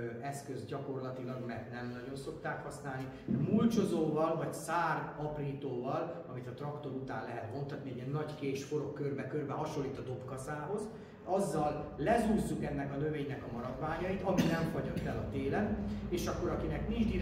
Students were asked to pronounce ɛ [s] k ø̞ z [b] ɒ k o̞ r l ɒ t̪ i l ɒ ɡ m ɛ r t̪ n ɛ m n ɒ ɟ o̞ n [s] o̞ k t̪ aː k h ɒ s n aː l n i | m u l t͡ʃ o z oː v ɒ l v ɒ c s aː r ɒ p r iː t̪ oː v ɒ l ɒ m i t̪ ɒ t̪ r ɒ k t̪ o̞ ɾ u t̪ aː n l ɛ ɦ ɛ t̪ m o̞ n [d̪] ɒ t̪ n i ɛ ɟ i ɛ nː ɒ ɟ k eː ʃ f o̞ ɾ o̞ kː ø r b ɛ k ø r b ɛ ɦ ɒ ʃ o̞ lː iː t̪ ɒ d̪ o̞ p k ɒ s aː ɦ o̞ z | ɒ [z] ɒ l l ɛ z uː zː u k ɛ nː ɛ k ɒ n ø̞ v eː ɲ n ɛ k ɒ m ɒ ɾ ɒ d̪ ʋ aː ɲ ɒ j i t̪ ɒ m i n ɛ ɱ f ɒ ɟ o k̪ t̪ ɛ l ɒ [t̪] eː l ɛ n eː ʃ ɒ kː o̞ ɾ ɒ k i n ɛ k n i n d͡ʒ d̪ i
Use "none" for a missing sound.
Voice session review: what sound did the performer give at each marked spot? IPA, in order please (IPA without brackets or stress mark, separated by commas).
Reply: s, ɟ, s, t̪, zː, t̪